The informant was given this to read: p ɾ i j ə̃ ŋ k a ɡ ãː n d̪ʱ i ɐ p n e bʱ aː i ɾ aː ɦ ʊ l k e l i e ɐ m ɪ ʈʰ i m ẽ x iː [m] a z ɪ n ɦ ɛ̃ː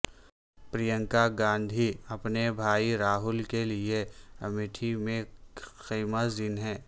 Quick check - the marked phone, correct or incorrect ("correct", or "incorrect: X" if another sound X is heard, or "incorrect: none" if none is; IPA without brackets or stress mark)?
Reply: correct